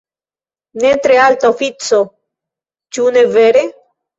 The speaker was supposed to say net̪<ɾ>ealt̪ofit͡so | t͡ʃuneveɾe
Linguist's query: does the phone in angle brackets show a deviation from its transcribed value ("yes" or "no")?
no